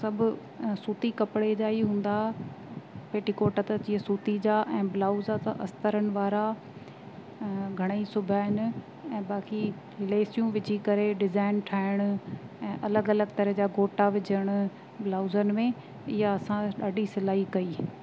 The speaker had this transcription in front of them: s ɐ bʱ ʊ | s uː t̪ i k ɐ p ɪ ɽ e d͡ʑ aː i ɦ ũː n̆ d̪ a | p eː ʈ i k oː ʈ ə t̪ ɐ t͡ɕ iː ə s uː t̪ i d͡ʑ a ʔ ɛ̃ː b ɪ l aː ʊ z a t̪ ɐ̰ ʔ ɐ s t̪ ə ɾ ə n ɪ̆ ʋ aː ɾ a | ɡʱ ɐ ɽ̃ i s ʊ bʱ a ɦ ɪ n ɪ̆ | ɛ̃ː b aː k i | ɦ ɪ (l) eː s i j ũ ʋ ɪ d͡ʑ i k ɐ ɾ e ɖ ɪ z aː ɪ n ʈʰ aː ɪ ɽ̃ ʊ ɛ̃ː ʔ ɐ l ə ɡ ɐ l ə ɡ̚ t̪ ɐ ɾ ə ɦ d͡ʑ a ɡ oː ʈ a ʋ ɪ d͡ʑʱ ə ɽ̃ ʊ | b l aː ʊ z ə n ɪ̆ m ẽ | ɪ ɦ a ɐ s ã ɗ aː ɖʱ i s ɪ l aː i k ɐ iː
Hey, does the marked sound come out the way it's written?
yes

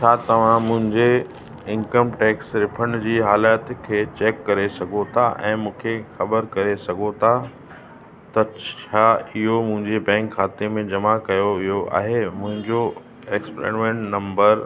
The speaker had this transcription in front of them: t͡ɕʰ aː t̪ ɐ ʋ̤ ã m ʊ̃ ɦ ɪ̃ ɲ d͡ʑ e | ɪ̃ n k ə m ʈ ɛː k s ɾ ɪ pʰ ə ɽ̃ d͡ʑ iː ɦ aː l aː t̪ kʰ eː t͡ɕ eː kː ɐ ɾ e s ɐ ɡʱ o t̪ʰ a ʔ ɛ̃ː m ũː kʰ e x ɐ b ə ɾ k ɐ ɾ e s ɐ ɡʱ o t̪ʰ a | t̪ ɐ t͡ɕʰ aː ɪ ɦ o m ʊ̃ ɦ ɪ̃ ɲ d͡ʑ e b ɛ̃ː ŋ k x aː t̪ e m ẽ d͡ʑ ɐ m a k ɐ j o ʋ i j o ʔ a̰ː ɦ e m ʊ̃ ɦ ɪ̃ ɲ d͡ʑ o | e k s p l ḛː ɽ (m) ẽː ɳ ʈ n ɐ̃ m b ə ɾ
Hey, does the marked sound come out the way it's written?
yes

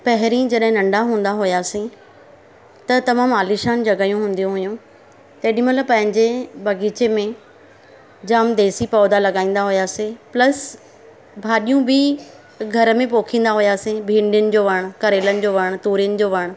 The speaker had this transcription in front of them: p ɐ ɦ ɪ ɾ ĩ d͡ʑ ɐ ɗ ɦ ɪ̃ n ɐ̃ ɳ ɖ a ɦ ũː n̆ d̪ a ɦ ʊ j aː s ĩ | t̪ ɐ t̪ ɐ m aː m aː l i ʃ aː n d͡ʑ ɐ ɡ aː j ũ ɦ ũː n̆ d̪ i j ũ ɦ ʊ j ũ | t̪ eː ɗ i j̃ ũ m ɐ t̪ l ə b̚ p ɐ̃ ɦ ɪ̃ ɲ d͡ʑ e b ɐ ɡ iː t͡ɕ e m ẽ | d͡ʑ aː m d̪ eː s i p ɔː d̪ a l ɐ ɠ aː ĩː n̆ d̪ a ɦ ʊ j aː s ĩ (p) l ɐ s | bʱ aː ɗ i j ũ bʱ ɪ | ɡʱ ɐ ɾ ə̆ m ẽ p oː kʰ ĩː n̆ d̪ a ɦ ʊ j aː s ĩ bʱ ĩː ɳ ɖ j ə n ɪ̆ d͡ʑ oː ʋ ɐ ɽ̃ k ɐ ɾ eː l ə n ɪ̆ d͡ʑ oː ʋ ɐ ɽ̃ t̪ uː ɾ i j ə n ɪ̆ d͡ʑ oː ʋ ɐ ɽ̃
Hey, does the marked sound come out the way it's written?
yes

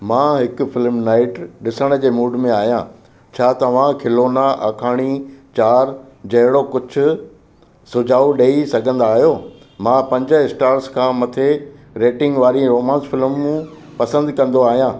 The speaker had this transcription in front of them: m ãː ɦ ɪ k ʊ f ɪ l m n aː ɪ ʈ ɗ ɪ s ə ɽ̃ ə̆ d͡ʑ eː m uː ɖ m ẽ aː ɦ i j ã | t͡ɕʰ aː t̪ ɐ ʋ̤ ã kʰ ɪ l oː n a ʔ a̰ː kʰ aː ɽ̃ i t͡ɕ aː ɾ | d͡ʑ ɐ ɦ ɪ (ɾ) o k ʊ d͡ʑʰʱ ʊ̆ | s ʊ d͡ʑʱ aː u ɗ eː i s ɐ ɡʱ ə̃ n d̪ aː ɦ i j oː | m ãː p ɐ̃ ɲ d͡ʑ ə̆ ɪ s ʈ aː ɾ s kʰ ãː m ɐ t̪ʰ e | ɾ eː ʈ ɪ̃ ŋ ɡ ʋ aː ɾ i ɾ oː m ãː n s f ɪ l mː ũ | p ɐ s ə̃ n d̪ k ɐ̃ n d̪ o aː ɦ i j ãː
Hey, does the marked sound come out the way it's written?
no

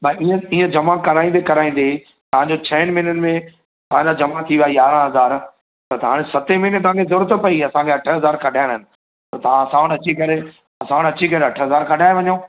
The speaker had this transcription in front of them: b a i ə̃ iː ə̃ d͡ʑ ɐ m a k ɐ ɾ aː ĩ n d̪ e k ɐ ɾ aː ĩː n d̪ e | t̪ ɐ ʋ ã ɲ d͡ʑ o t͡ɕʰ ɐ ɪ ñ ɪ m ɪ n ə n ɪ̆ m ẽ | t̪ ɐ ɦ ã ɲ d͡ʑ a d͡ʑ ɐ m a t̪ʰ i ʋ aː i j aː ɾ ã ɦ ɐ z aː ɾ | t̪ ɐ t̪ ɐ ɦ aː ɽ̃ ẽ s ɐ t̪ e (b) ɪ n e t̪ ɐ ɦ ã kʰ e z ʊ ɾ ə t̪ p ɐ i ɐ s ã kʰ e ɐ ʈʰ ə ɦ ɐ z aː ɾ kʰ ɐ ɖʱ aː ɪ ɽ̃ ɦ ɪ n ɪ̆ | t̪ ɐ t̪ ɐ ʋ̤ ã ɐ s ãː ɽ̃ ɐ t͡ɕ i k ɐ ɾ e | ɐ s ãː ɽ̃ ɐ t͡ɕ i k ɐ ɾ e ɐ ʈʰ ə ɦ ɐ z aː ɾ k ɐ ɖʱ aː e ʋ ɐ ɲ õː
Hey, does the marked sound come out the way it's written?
no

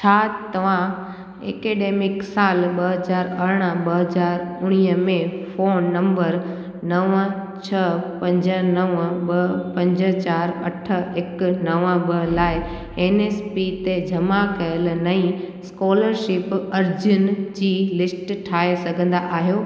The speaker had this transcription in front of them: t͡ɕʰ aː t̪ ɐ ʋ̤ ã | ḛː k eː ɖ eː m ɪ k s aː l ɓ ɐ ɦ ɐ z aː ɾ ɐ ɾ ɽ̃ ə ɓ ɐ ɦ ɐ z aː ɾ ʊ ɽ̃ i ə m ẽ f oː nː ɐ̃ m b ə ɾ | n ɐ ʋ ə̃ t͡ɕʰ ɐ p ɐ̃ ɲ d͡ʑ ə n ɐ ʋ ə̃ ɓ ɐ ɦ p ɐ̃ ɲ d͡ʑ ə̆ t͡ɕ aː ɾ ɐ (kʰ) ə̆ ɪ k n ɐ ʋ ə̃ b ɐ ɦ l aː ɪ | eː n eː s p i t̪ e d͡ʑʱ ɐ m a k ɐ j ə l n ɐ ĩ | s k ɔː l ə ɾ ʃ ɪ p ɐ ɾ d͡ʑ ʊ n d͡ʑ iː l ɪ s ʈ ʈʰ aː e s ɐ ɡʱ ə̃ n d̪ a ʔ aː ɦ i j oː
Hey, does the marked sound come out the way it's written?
no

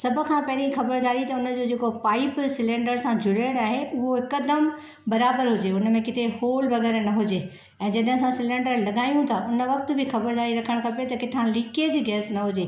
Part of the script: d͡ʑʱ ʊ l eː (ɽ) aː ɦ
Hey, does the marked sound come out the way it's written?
yes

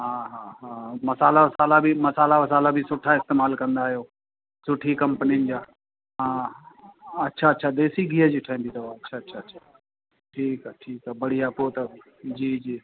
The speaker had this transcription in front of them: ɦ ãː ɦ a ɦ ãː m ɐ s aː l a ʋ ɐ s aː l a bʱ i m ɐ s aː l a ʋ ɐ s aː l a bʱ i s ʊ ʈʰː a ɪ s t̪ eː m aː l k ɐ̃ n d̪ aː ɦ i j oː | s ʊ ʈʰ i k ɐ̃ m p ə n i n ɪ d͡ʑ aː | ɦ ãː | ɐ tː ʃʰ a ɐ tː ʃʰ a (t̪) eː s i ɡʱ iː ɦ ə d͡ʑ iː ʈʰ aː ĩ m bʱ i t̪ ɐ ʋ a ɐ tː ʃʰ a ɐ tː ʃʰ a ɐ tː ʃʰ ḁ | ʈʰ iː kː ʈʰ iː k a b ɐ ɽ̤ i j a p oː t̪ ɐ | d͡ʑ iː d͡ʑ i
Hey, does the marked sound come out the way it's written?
no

